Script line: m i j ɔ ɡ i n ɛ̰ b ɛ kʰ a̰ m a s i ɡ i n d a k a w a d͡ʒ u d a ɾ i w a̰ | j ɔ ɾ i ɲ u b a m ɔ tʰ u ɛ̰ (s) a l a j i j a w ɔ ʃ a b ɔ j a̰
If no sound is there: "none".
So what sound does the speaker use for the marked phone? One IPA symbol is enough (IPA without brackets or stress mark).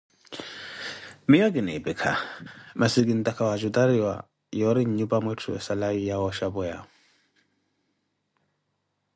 s